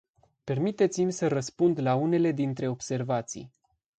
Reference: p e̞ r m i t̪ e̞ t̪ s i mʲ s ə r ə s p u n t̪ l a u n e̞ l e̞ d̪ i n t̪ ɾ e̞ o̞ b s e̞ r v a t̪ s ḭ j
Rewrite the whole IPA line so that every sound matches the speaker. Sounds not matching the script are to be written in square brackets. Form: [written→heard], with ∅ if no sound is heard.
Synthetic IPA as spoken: p e̞ r m i t̪ e̞ t̪ s i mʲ s ə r ə s p u n [t̪→d̪] l a u n e̞ l e̞ d̪ i n t̪ ɾ e̞ o̞ b s e̞ r v a t̪ s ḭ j